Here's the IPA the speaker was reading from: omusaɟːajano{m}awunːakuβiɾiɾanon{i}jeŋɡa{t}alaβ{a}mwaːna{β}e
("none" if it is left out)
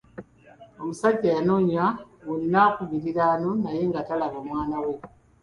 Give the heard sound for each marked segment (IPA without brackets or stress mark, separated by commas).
ɲ, a, t, a, w